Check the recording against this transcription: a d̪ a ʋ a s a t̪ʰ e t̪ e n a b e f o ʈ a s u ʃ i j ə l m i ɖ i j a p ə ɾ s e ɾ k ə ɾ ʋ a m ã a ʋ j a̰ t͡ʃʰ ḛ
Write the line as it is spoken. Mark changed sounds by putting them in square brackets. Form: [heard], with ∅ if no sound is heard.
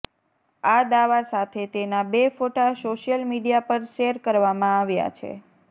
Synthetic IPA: a d̪ a ʋ a s a t̪ʰ e t̪ e n a b e f o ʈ a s [o] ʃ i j ə l m i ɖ i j a p ə ɾ [ʃ] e ɾ k ə ɾ ʋ a m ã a ʋ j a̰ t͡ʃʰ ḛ